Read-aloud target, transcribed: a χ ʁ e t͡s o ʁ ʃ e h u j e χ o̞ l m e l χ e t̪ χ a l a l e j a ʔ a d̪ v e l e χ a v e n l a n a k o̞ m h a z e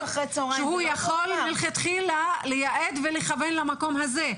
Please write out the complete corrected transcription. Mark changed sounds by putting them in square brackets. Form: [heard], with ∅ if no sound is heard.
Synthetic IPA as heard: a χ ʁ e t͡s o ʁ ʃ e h u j [a] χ o̞ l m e l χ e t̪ χ [i] l a l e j a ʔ [e] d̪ v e l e χ a v e n l a [m] a k o̞ m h a z e